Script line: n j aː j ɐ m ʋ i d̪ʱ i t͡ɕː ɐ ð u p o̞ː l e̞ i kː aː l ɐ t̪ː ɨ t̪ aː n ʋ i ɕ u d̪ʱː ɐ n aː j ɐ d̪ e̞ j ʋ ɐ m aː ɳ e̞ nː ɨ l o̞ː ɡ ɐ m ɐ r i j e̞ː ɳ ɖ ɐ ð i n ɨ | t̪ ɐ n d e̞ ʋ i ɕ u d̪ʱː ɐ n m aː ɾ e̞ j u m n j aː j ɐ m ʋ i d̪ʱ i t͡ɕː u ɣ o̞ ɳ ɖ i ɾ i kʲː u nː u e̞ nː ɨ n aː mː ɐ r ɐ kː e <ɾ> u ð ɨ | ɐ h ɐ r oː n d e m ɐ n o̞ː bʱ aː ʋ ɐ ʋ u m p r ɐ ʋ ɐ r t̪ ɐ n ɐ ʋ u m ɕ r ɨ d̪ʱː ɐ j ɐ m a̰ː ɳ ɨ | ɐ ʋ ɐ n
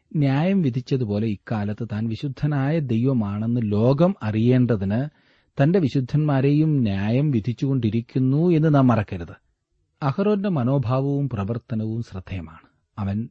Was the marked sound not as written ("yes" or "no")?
no